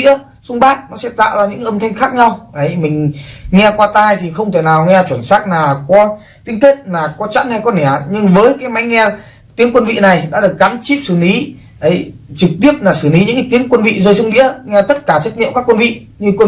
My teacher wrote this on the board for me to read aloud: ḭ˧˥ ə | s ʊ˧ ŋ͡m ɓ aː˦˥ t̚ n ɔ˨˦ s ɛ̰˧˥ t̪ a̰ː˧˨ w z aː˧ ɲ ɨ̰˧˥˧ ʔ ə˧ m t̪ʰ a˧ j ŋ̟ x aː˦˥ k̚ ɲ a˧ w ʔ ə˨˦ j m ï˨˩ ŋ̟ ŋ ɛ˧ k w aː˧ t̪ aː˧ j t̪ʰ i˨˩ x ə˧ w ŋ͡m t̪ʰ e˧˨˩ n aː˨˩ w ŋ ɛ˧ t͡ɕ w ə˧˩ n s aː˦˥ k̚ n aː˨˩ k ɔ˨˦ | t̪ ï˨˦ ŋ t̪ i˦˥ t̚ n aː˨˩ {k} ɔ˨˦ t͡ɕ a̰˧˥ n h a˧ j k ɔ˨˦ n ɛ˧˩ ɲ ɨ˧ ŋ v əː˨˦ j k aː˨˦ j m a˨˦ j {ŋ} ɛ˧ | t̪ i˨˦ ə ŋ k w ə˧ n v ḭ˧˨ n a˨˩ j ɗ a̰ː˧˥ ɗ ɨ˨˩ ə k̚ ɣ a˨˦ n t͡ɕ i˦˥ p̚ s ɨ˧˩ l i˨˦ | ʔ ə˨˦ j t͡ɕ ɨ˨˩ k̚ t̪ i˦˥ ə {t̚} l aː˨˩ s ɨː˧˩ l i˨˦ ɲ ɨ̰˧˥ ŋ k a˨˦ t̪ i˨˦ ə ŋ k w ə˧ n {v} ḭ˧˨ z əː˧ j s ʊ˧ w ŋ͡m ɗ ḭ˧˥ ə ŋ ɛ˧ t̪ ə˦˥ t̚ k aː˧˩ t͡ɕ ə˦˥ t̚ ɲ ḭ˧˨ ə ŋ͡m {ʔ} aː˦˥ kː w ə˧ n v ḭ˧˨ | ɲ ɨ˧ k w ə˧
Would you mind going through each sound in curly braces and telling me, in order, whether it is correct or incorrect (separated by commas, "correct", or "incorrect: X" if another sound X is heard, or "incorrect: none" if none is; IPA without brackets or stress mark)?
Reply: correct, correct, incorrect: p̚, correct, incorrect: k